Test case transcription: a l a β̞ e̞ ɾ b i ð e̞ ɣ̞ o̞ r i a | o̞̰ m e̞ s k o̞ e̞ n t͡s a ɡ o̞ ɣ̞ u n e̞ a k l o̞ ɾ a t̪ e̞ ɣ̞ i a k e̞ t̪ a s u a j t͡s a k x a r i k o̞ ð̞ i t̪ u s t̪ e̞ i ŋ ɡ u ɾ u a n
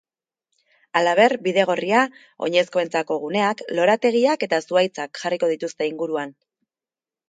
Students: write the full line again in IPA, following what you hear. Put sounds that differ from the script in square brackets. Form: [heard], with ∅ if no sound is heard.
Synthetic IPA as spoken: a l a β̞ e̞ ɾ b i ð e̞ ɣ̞ o̞ r i a | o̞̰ [ɲ] e̞ s k o̞ e̞ n t͡s a [k] o̞ ɣ̞ u n e̞ a k l o̞ ɾ a t̪ e̞ ɣ̞ i a k e̞ t̪ a s u a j t͡s a k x a r i k o̞ ð̞ i t̪ u s t̪ e̞ i ŋ ɡ u ɾ u a n